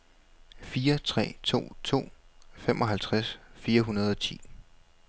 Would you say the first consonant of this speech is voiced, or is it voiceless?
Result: voiceless